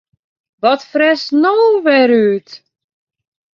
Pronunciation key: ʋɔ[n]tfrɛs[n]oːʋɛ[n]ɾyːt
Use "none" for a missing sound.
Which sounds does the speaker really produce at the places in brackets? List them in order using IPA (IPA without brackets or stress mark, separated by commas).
none, n, none